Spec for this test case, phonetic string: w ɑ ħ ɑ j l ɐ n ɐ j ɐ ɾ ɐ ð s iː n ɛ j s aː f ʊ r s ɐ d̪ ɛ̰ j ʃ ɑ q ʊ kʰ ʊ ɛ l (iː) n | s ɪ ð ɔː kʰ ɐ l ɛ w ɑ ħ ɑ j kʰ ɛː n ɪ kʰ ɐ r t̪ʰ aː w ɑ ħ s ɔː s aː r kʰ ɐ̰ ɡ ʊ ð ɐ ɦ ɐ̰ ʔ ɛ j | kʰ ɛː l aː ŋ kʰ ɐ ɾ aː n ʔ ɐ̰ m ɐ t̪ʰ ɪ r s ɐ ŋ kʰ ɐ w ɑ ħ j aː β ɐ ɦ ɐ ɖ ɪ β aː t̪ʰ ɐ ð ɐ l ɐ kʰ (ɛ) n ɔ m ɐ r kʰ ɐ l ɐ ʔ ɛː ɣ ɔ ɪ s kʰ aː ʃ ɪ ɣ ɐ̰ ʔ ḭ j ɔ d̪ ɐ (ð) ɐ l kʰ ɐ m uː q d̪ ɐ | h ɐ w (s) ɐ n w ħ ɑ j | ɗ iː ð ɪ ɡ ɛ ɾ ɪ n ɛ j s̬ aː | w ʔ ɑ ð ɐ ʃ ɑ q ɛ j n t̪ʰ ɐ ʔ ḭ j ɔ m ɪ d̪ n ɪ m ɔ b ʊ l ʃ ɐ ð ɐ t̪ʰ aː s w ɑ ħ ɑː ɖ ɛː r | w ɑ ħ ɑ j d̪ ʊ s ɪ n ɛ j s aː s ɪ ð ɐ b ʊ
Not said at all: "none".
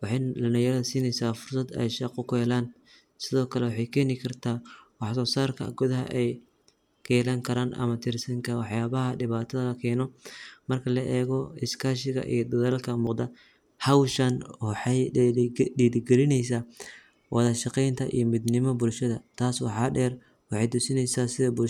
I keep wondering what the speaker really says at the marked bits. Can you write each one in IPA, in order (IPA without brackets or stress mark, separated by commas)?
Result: aː, ɛː, ð, ʃ